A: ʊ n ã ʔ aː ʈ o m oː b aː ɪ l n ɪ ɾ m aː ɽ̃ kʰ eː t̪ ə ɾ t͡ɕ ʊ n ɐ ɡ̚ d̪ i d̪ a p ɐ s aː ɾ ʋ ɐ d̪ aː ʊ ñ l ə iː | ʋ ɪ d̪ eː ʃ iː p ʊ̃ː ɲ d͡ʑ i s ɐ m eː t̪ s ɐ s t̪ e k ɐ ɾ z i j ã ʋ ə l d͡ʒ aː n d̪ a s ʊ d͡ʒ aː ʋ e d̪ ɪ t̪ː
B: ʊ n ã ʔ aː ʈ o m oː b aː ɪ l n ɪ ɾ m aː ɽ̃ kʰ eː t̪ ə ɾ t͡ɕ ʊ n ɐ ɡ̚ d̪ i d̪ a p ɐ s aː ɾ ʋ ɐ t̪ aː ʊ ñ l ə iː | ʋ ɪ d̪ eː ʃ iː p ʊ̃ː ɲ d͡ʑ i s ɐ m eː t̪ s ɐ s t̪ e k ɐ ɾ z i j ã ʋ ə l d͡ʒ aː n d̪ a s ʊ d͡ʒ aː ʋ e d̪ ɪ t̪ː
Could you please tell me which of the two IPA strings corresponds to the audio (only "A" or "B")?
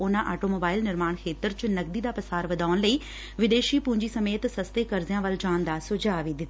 A